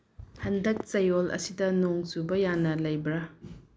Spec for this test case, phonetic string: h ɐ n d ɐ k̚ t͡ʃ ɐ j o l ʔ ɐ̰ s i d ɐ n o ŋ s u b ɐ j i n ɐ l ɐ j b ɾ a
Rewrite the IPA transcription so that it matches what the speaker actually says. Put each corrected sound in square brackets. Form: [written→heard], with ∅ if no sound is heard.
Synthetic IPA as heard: h ɐ n d ɐ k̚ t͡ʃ ɐ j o l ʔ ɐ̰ s i d ɐ n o ŋ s u b ɐ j [i→a] n ɐ l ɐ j b ɾ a